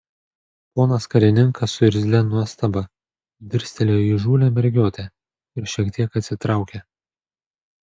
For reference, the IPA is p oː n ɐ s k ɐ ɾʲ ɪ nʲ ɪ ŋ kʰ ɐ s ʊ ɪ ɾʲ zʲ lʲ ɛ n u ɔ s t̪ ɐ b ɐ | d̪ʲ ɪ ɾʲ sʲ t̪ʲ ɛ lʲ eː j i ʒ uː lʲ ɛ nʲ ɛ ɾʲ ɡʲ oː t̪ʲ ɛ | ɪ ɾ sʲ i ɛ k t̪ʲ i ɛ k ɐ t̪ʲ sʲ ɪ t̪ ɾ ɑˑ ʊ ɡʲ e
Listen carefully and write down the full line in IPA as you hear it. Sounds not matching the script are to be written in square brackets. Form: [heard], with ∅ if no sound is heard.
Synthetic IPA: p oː n ɐ s k ɐ ɾʲ ɪ nʲ ɪ ŋ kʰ ɐ s ʊ ɪ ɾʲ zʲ lʲ ɛ n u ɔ s t̪ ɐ b ɐ | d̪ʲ ɪ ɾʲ sʲ t̪ʲ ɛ lʲ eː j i ʒ uː lʲ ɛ [mʲ] ɛ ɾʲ ɡʲ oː t̪ʲ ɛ | ɪ ɾ [ʃʲ] i ɛ k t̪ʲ i ɛ k ɐ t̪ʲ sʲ ɪ t̪ ɾ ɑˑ ʊ [kʲ] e

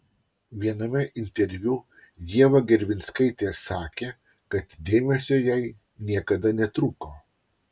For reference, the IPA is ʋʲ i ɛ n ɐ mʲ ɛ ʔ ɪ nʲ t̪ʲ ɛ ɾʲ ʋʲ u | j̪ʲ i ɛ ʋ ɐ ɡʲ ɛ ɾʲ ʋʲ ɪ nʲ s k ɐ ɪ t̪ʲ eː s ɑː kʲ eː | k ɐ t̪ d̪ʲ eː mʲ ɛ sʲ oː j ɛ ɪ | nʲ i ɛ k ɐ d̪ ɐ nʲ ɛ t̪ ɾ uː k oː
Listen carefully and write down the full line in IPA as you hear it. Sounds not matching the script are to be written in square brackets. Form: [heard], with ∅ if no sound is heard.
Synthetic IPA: ʋʲ i ɛ n ɐ mʲ ɛ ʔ ɪ nʲ t̪ʲ ɛ ɾʲ ʋʲ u | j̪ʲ i ɛ ʋ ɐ ɡʲ ɛ ɾʲ ʋʲ ɪ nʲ s k ɐ ɪ t̪ʲ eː s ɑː kʲ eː | k ɐ t̪ d̪ʲ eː mʲ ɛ sʲ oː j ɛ ɪ | nʲ i ɛ k ɐ d̪ ɐ nʲ ɛ t̪ ɾ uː k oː

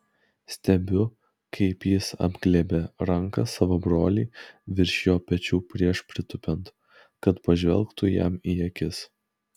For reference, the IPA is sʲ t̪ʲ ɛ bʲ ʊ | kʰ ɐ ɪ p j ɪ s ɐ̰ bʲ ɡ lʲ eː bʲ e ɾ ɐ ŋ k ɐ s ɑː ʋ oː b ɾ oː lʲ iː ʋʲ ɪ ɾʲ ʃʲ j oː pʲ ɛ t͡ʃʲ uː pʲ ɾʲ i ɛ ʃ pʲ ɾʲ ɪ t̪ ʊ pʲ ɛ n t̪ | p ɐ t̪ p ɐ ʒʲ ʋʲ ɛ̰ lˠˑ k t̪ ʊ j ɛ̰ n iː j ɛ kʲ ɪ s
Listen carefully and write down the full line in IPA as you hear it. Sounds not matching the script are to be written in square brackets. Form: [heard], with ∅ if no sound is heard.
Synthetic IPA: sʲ t̪ʲ ɛ bʲ ʊ | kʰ ɐ ɪ p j ɪ s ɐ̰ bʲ ɡ lʲ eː bʲ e ɾ ɐ ŋ k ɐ s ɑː ʋ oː b ɾ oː lʲ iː ʋʲ ɪ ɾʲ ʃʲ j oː pʲ ɛ t͡ʃʲ uː pʲ ɾʲ i ɛ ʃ pʲ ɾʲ ɪ t̪ ʊ pʲ ɛ n t̪ | [k] ɐ t̪ p ɐ ʒʲ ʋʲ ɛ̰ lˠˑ k t̪ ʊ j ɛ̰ [m] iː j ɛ kʲ ɪ s

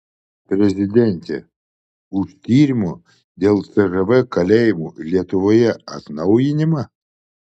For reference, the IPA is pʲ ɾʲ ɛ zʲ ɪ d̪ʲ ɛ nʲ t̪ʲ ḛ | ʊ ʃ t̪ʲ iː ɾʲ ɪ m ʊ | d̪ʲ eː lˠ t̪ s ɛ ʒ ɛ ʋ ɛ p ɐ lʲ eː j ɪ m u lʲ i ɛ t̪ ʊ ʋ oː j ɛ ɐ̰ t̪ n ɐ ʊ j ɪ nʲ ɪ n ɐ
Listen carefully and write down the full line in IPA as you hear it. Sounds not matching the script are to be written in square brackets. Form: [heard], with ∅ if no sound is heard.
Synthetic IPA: pʲ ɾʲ ɛ zʲ ɪ d̪ʲ ɛ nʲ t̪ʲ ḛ | ʊ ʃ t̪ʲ iː ɾʲ ɪ m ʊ | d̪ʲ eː lˠ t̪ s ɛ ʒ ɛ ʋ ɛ [k] ɐ lʲ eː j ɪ m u lʲ i ɛ t̪ ʊ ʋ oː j ɛ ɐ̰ t̪ n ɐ ʊ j ɪ nʲ ɪ [m] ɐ

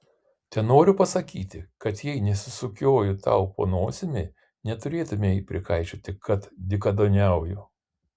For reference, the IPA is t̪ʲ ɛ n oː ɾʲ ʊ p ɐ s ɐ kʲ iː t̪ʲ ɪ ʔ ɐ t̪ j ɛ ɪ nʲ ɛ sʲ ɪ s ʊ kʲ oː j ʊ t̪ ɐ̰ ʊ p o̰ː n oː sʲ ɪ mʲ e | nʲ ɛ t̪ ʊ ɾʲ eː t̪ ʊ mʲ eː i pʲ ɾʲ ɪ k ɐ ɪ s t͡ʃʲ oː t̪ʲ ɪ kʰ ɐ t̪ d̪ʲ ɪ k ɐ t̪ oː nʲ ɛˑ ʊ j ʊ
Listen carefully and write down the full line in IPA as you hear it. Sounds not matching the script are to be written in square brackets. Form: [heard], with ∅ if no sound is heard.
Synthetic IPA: t̪ʲ ɛ n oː ɾʲ ʊ p ɐ s ɐ kʲ iː t̪ʲ ɪ [k] ɐ t̪ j ɛ ɪ nʲ ɛ sʲ ɪ s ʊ kʲ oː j ʊ t̪ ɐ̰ ʊ p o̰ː n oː sʲ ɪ mʲ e | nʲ ɛ t̪ ʊ ɾʲ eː t̪ ʊ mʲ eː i pʲ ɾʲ ɪ k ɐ ɪ [∅] t͡ʃʲ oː t̪ʲ ɪ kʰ ɐ t̪ d̪ʲ ɪ k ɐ [d̪] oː nʲ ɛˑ ʊ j ʊ

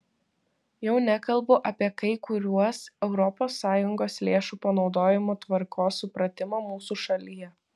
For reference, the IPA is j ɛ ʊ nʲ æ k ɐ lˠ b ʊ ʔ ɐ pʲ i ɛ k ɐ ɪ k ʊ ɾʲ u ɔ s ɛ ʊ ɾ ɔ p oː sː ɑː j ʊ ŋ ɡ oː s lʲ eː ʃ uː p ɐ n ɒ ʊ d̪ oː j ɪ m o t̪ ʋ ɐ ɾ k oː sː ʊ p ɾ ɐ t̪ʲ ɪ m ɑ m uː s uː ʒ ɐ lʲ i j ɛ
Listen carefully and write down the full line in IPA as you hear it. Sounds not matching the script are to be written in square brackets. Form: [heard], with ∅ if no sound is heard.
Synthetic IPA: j ɛ ʊ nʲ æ k ɐ lˠ b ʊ ʔ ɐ pʲ i ɛ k ɐ ɪ k ʊ ɾʲ u ɔ s ɛ ʊ ɾ ɔ p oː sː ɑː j ʊ ŋ ɡ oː s lʲ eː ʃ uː p ɐ n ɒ ʊ d̪ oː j ɪ m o t̪ ʋ ɐ ɾ k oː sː ʊ p ɾ ɐ t̪ʲ ɪ m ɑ m uː s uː [ʃ] ɐ lʲ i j ɛ

